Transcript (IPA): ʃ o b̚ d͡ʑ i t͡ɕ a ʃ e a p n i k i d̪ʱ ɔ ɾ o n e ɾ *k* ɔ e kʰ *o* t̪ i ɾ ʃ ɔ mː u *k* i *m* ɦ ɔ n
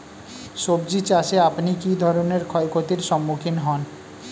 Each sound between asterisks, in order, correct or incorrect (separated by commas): incorrect, correct, incorrect, incorrect